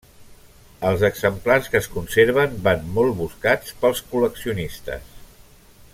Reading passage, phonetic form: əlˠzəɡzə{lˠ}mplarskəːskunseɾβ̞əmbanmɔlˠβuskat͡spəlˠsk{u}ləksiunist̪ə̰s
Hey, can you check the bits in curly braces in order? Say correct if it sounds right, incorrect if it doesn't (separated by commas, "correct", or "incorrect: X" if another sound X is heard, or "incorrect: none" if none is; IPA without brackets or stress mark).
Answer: incorrect: none, correct